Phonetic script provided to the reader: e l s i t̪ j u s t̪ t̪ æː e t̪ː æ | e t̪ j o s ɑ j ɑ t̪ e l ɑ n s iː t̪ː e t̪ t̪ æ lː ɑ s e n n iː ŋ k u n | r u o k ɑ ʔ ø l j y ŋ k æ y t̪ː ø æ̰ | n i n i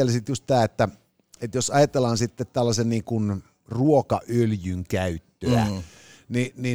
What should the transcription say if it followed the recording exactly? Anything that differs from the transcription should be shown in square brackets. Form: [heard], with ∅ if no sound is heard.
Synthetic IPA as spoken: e l s i t̪ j u s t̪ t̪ æː e t̪ː æ | e t̪ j o s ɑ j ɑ t̪ e l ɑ n s [i] t̪ː e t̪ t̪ æ lː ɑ s e n n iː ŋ k u n | r u o k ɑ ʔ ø l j y ŋ k æ y t̪ː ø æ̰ | n i n i